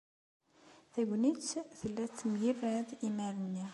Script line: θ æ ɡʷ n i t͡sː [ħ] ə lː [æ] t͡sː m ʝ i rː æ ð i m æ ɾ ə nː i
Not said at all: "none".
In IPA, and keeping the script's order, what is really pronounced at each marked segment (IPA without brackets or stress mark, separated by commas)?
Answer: θ, æ